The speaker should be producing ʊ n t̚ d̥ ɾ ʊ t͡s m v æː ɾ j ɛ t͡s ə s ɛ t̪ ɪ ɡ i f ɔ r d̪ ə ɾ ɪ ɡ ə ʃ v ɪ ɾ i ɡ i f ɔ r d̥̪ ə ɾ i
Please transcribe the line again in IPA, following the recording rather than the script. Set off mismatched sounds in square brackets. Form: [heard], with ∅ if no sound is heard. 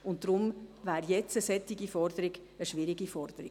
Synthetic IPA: ʊ n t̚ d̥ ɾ ʊ [∅] m v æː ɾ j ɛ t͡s ə s ɛ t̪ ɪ ɡ i f ɔ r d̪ ə ɾ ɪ ɡ ə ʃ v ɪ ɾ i ɡ i f ɔ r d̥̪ ə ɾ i